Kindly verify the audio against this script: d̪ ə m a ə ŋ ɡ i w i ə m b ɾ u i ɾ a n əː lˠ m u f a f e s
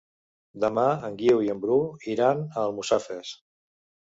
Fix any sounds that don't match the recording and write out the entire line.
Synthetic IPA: d̪ ə m a ə ŋ ɡ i w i ə m b ɾ u i ɾ a n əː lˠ m u s a f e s